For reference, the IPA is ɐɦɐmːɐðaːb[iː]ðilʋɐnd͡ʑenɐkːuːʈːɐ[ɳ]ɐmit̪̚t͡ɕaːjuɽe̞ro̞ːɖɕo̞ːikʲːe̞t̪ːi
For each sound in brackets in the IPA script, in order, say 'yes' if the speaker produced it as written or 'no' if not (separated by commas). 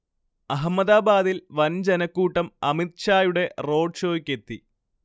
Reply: no, no